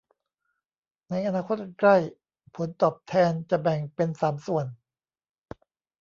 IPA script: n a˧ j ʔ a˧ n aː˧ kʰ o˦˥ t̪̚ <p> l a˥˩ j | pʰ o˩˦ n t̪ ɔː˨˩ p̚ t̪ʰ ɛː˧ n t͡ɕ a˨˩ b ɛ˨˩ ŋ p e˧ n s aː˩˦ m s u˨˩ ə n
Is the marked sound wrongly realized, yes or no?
yes